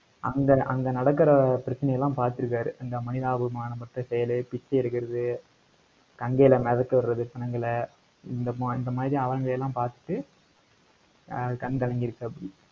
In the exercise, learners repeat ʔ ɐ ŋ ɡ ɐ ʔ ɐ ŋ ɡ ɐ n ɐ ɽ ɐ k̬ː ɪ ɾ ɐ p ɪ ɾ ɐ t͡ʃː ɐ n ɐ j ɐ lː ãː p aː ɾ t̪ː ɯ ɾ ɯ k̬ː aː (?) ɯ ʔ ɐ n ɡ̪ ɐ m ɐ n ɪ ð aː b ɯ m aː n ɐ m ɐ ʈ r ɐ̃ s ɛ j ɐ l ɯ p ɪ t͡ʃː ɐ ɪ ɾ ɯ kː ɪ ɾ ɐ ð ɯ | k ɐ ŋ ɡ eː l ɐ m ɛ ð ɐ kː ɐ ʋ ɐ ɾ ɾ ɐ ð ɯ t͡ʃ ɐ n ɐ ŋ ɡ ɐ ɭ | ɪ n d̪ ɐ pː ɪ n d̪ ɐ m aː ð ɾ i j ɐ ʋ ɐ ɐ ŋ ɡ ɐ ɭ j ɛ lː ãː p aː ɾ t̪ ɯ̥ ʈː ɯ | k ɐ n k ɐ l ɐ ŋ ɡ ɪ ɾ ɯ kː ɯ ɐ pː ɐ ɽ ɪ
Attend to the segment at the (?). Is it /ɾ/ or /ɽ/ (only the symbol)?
ɾ